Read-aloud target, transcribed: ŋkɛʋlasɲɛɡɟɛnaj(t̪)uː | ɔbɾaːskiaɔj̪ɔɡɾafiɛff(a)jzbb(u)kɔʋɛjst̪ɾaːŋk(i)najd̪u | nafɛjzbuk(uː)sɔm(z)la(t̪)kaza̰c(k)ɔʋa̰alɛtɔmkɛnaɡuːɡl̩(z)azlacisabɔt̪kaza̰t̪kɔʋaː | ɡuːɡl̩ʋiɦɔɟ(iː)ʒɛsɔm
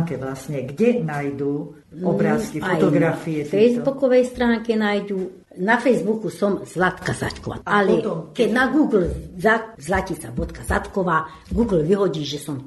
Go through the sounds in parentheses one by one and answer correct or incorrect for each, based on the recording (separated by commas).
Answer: incorrect, incorrect, correct, incorrect, incorrect, correct, correct, correct, correct, correct